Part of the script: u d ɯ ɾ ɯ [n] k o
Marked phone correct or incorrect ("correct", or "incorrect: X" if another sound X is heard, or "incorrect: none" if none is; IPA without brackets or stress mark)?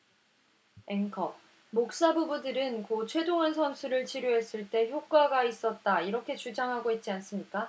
correct